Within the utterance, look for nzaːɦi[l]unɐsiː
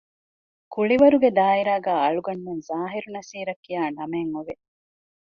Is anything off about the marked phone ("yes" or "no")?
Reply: yes